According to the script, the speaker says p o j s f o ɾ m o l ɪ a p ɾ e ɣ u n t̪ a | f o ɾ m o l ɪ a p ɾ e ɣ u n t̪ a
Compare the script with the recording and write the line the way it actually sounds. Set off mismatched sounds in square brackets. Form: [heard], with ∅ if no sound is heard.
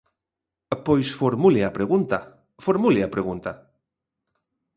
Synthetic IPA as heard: p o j s f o ɾ m [u] l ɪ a p ɾ e ɣ u n t̪ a | f o ɾ m [u] l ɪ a p ɾ e ɣ u n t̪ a